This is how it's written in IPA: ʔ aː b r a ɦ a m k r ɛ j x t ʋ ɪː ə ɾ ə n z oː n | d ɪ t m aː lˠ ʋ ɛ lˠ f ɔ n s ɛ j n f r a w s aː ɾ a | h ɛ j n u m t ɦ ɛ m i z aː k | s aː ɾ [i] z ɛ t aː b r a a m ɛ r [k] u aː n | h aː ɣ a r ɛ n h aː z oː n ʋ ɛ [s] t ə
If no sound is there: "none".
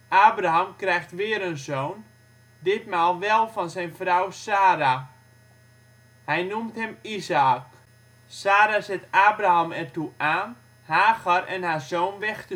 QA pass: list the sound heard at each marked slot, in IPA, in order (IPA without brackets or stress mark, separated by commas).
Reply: a, t, x